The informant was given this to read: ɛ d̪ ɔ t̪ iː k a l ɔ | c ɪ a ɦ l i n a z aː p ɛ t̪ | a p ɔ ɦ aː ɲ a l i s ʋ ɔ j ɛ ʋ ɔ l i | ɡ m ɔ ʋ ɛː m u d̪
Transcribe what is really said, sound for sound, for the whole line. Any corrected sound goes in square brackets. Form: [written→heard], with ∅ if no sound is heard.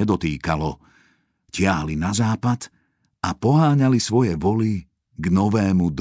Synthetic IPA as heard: ɛ d̪ ɔ t̪ iː k a l ɔ | c ɪ a ɦ l i n a z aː p [ɛ→a] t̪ | a p ɔ ɦ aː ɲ a l i s ʋ ɔ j ɛ ʋ ɔ l i | ɡ [m→n] ɔ ʋ ɛː m u d̪